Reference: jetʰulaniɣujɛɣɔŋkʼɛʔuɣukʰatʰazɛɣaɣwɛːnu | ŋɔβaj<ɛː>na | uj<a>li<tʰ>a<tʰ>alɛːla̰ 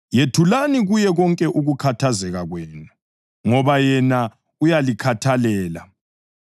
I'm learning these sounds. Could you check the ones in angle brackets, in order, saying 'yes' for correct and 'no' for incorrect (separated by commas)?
no, yes, no, yes